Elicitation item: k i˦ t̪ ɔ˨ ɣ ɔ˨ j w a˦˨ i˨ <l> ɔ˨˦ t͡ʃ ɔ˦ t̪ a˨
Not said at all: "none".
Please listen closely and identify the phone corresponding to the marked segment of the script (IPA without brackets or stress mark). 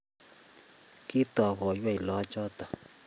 l